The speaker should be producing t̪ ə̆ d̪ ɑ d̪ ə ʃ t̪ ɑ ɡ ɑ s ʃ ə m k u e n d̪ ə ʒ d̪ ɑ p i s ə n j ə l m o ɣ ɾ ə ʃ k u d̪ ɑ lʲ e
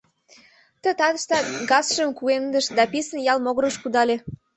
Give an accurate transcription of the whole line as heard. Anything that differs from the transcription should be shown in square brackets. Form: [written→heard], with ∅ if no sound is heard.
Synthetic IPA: t̪ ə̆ [d̪→t̪] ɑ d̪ ə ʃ t̪ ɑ ɡ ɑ s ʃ ə m k u e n d̪ ə [ʒ→ʃ] d̪ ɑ p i s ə n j [ə→ɑ] l m o ɣ ɾ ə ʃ k u d̪ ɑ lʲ e